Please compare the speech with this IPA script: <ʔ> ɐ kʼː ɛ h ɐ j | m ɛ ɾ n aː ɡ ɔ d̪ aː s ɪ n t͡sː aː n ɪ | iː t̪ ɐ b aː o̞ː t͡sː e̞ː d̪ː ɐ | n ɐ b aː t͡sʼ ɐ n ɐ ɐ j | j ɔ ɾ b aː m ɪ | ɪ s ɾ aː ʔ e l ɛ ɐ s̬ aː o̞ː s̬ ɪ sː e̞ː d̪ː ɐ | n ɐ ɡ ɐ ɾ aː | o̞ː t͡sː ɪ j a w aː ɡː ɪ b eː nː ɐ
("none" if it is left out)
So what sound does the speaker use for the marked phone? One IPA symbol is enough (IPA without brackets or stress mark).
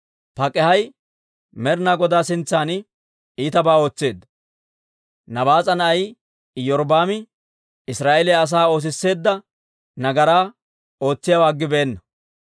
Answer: p